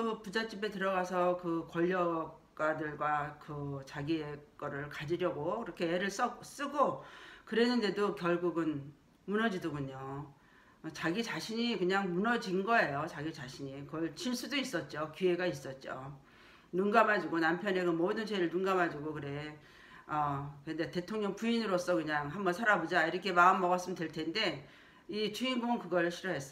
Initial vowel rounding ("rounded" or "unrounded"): rounded